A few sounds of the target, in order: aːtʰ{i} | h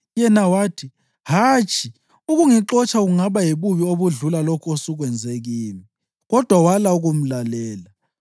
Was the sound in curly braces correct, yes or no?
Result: yes